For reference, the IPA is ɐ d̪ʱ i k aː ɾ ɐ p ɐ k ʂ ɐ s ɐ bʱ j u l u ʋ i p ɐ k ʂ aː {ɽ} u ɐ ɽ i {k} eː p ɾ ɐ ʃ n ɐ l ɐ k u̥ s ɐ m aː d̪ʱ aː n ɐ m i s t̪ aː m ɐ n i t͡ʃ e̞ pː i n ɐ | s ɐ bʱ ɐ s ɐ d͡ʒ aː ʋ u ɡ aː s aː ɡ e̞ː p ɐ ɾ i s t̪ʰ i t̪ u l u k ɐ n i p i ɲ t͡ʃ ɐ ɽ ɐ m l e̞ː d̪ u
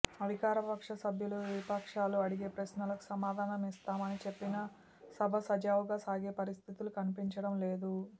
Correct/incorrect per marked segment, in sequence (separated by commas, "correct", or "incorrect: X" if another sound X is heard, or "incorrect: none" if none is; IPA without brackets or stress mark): incorrect: l, incorrect: ɡ